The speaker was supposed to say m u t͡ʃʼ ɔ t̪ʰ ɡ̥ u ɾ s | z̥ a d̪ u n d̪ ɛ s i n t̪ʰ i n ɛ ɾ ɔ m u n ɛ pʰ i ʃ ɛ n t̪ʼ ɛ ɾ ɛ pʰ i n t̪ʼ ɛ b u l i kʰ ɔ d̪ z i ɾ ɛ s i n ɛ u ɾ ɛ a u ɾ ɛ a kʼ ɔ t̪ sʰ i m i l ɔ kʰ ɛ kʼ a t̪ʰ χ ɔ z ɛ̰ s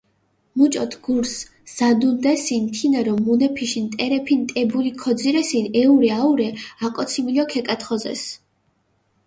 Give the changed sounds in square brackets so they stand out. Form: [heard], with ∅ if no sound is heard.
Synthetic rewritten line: m u t͡ʃʼ ɔ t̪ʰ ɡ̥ u ɾ s | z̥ a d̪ u n d̪ ɛ s i n t̪ʰ i n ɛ ɾ ɔ m u n ɛ pʰ i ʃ [i] n t̪ʼ ɛ ɾ ɛ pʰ i n t̪ʼ ɛ b u l i kʰ ɔ d̪ z i ɾ ɛ s i n ɛ u ɾ ɛ a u ɾ ɛ a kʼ ɔ t̪ sʰ i m i l ɔ kʰ ɛ kʼ a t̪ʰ χ ɔ z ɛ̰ s